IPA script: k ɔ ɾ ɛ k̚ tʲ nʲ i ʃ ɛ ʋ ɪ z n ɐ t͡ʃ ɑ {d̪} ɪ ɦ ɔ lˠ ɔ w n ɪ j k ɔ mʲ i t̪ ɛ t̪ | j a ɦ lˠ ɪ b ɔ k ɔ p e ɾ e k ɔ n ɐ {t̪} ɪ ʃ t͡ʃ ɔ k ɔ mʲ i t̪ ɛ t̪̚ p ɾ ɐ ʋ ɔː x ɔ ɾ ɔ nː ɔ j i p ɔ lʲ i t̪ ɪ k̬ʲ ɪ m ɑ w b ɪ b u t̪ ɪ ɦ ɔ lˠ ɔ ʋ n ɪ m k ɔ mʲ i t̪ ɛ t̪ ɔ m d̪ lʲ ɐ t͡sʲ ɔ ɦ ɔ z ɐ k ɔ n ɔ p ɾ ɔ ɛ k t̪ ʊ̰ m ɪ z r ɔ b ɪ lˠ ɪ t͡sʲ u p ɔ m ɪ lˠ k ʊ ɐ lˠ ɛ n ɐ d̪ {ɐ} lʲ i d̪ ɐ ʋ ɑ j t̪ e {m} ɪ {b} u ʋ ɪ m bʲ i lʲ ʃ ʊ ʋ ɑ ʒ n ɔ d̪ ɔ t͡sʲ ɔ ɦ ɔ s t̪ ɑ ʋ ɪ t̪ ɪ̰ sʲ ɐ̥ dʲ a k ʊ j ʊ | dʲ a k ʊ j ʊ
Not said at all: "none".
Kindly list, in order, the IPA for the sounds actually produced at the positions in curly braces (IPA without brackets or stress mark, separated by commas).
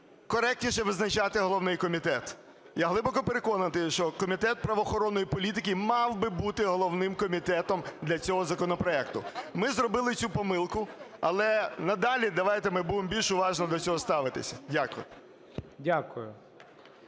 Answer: t̪, t̪, ɑ, m, b